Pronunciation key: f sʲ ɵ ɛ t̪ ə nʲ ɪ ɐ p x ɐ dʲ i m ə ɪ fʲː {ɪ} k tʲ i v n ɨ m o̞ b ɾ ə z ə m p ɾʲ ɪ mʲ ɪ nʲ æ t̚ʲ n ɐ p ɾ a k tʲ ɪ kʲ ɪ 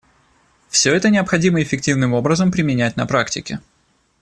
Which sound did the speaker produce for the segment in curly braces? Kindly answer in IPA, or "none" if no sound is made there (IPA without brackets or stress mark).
ɪ